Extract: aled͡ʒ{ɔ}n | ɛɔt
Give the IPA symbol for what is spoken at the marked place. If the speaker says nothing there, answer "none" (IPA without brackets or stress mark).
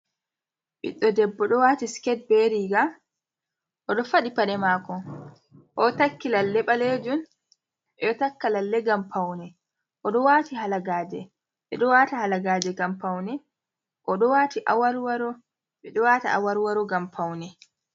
u